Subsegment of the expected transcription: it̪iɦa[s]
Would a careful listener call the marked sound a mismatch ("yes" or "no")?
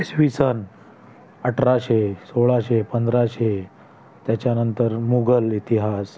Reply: no